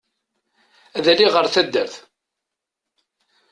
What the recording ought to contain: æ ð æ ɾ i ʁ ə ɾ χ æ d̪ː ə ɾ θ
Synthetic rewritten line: æ ð æ l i ʁ ə ɾ θ æ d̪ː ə ɾ θ